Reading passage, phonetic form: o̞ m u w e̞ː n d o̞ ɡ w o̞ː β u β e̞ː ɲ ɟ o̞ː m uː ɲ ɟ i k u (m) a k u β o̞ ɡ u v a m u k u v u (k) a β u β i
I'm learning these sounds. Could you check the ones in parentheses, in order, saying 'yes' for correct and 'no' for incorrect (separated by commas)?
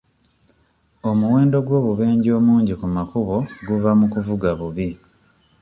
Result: yes, no